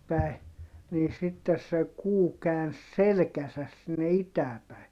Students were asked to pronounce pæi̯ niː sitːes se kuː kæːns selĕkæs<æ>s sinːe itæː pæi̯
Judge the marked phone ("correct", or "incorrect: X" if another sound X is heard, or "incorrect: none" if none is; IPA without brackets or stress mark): correct